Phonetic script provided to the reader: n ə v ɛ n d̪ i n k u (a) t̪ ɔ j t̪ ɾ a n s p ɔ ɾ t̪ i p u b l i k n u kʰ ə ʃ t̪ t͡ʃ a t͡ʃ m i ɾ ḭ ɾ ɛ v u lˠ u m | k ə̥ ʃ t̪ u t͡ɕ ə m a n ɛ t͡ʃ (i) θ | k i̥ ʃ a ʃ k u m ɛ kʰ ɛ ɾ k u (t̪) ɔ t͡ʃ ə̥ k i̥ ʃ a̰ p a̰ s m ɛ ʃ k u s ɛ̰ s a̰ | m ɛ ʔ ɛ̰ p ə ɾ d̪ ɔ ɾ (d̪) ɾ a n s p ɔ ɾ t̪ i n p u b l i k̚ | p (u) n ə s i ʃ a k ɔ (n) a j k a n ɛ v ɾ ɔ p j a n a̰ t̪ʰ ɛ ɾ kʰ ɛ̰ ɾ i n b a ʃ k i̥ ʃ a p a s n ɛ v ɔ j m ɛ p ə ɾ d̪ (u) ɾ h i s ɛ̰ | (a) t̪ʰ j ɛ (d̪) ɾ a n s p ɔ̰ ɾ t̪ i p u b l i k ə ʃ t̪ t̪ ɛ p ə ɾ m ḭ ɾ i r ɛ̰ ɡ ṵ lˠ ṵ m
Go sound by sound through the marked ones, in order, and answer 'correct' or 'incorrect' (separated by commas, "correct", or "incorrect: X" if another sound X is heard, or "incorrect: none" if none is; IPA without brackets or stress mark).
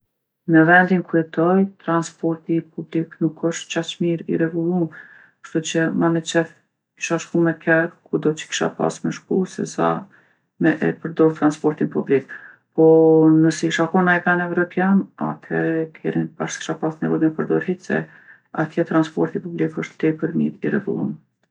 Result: incorrect: ɛ, incorrect: ɛ, incorrect: d̪, incorrect: t̪, incorrect: ɔ, correct, incorrect: ɔ, correct, incorrect: t̪